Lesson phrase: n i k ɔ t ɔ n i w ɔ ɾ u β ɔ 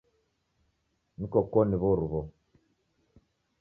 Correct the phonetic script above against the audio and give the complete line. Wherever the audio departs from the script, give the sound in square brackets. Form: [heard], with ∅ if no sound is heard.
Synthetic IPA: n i k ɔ [k] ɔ n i [β] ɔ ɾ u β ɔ